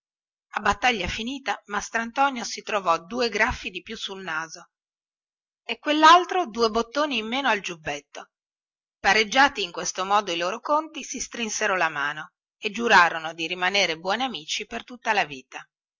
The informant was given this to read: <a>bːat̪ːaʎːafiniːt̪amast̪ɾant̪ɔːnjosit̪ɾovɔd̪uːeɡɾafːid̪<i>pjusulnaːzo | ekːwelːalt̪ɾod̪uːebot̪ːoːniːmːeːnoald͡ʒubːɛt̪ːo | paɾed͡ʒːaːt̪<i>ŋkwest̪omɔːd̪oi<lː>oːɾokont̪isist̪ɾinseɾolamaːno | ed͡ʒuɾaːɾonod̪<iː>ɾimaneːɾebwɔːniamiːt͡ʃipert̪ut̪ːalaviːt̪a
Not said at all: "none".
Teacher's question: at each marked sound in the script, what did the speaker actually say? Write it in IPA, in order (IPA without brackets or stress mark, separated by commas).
a, i, iː, l, i